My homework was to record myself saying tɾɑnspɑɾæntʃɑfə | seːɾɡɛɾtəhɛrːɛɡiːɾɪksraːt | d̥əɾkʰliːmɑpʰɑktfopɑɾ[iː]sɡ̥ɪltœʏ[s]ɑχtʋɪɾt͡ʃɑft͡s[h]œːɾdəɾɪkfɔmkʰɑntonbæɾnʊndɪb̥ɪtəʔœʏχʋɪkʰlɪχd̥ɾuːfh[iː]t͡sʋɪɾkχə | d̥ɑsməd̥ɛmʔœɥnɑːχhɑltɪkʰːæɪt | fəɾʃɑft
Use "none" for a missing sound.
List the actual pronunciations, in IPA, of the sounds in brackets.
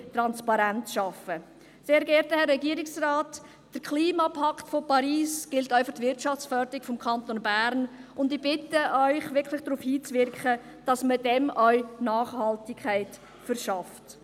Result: iː, f, f, iː

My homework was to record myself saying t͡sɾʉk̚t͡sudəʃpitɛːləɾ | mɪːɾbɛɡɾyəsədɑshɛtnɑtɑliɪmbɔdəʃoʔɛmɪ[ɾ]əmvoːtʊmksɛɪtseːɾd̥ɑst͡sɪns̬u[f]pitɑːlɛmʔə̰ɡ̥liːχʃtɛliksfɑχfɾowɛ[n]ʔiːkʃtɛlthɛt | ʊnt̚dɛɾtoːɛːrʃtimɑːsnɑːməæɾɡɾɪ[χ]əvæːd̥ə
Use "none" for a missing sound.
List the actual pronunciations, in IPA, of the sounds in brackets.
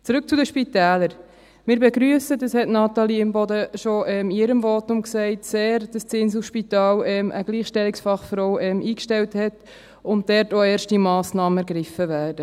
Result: ɾ, ʃ, m, f

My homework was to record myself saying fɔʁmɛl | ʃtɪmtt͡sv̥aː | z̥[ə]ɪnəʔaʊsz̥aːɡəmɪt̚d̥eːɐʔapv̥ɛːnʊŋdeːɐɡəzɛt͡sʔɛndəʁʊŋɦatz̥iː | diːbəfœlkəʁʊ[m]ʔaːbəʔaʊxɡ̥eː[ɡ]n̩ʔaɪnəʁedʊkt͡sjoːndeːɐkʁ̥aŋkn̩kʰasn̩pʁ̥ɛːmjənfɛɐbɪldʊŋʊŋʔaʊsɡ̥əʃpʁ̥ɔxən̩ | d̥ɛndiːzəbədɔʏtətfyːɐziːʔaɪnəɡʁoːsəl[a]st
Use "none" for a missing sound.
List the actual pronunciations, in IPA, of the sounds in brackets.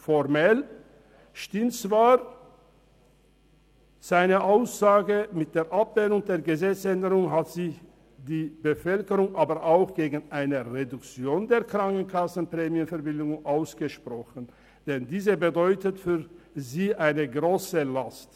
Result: a, ŋ, ɡ, a

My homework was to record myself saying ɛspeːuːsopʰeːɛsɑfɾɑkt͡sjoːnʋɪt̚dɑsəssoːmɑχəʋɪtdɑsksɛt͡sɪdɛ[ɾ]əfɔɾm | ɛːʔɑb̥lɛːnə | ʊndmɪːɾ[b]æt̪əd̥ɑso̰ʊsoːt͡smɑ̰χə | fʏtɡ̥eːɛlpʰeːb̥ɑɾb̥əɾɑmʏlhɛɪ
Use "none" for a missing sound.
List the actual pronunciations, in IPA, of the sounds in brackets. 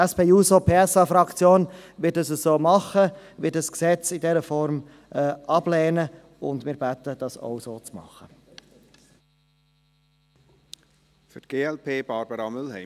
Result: ɾ, b

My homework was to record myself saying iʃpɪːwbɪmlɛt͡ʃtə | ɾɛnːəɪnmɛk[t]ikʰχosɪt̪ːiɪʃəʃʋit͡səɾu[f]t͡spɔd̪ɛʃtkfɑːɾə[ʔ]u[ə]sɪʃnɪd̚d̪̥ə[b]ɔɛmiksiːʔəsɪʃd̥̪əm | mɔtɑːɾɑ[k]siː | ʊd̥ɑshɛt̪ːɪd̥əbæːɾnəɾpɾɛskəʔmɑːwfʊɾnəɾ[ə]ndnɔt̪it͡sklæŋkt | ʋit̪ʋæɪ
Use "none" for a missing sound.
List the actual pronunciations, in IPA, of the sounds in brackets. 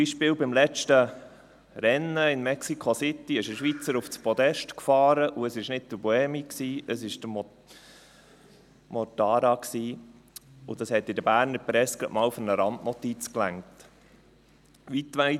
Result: s, f, ʔ, ə, b, k, ɑ

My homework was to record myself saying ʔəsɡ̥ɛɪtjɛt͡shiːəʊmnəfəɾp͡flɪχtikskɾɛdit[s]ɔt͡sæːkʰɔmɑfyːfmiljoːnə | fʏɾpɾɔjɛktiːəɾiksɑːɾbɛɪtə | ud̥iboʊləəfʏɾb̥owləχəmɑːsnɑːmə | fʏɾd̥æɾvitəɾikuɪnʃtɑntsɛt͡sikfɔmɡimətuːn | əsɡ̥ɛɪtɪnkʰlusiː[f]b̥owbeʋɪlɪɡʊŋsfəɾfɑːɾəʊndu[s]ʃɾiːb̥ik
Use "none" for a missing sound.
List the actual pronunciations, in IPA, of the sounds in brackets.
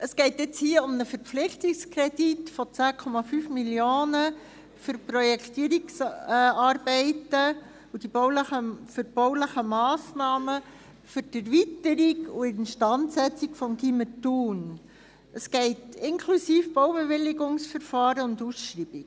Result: f, f, s

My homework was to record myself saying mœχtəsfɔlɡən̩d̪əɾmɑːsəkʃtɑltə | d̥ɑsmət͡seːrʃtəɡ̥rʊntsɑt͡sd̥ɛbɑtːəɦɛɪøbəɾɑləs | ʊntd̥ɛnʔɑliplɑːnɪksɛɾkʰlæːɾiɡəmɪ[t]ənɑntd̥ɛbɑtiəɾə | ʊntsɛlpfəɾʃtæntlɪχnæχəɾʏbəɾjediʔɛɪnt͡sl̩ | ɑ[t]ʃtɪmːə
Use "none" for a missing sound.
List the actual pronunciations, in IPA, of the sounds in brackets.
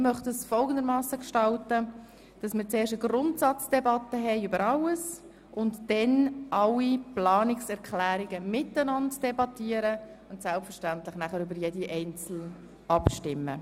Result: t, p

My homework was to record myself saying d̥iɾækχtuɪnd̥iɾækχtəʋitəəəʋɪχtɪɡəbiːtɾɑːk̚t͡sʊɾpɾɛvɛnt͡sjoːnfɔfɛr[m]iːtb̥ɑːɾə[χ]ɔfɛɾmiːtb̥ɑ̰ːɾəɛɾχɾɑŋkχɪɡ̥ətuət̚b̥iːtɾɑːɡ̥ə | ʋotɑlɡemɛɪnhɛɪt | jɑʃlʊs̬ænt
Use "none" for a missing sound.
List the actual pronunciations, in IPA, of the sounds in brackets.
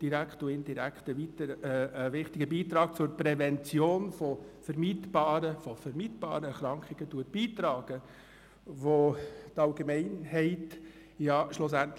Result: m, f

